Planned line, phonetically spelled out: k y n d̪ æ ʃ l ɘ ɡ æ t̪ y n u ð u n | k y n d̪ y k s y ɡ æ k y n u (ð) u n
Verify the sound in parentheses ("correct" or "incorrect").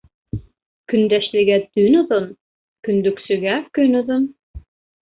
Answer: correct